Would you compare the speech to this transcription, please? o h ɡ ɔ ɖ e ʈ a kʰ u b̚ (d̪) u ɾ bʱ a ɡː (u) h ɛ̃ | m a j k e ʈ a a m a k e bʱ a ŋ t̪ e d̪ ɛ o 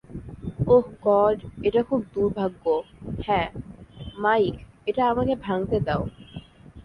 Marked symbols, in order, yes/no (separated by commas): yes, no